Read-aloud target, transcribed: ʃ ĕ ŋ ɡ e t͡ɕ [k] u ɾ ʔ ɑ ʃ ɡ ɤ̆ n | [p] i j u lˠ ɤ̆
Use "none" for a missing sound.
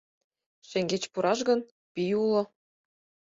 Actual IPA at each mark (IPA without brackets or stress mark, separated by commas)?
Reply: p, p